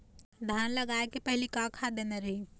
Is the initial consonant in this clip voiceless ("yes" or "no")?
no